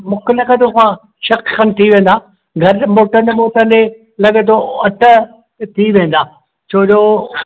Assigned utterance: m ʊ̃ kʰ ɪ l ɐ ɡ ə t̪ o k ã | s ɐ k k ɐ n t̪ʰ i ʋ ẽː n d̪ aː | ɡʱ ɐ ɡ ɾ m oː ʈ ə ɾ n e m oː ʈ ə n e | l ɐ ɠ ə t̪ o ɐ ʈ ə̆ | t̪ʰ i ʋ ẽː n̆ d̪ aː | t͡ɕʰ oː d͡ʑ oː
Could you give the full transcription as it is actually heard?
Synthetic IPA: m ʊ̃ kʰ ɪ l ɐ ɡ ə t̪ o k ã | ʃ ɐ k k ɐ n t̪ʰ i ʋ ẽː n d̪ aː | ɡʱ ɐ ɾ m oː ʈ ə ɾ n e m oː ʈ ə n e | l ɐ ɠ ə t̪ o ɐ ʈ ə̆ | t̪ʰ i ʋ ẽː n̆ d̪ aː | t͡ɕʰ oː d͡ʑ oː